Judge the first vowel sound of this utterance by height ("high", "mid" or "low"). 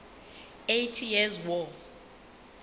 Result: mid